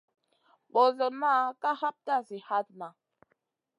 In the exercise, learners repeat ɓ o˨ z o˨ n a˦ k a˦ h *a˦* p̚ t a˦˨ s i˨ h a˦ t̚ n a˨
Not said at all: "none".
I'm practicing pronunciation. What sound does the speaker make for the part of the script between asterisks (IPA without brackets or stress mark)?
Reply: a˦